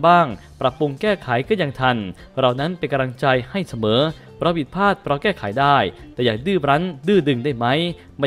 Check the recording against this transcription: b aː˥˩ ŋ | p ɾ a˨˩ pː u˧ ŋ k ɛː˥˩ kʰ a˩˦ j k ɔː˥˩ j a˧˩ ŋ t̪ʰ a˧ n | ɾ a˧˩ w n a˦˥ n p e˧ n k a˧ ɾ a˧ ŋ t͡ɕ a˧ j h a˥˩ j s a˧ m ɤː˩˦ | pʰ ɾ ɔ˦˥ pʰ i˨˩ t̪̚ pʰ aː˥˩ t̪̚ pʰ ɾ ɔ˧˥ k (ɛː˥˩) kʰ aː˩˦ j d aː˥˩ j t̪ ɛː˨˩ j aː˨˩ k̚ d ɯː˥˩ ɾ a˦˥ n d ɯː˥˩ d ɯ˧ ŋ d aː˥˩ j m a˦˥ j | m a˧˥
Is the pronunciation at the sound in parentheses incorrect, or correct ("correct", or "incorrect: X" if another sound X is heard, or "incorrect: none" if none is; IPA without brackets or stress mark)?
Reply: correct